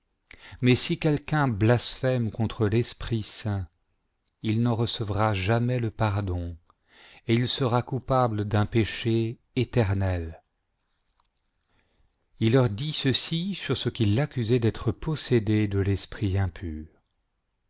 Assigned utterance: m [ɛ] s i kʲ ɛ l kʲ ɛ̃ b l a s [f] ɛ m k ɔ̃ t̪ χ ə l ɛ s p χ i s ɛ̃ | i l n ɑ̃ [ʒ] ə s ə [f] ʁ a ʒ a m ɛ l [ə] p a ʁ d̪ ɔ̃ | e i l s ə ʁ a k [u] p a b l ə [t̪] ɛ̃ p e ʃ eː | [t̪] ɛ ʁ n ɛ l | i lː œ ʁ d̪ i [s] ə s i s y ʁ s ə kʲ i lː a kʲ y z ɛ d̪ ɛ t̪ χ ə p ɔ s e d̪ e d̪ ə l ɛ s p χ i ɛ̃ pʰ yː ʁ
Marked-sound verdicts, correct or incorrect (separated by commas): correct, correct, incorrect, incorrect, correct, correct, incorrect, correct, correct